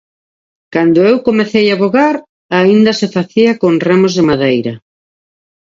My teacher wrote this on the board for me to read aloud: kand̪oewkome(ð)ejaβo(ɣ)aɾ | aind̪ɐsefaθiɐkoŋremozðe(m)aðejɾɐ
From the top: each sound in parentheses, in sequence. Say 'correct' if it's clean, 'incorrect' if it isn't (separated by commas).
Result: incorrect, correct, correct